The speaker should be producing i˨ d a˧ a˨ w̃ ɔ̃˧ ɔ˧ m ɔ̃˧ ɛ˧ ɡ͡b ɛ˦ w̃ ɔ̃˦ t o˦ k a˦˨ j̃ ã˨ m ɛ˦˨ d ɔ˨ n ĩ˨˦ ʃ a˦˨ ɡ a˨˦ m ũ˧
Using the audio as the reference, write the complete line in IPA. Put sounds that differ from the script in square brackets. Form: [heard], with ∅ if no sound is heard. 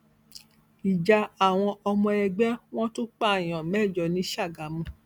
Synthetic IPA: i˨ [d͡ʒ] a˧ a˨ w̃ ɔ̃˧ ɔ˧ m ɔ̃˧ ɛ˧ ɡ͡b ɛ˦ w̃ ɔ̃˦ t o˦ [k͡p] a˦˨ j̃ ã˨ m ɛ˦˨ [d͡ʒ] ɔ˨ n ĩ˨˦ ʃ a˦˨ ɡ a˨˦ m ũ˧